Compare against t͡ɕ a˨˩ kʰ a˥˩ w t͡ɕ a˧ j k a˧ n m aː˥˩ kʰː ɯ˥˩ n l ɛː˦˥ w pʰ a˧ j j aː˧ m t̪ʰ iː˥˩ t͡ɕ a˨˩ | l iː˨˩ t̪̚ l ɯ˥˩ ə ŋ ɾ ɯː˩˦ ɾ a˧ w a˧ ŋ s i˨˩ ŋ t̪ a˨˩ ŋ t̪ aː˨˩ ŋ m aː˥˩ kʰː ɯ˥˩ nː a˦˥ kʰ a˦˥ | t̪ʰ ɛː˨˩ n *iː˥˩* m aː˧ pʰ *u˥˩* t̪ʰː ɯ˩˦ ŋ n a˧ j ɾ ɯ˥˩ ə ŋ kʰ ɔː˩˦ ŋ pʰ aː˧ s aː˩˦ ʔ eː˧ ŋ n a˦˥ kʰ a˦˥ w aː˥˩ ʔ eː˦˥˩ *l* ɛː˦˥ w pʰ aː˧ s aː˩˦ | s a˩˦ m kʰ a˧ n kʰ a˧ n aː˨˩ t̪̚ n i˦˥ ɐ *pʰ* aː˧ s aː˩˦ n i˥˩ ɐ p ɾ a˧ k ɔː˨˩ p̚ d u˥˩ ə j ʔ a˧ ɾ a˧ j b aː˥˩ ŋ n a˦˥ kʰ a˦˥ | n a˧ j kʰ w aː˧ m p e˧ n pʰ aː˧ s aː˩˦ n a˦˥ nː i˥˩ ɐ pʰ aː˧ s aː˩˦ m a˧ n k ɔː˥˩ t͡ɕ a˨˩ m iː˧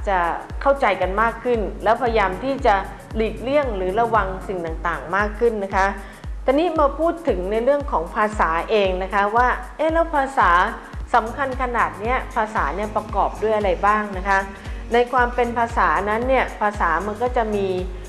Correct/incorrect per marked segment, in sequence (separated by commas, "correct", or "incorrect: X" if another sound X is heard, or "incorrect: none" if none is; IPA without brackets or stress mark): incorrect: iː˦˥, incorrect: uː˥˩, correct, correct